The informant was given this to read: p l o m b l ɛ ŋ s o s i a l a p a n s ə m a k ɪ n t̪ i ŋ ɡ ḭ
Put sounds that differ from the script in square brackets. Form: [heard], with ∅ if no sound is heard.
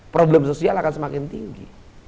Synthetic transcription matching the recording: p [ɾ] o [∅] b l ɛ [m] s o s i a l a [k] a n s ə m a k ɪ n t̪ i ŋ ɡ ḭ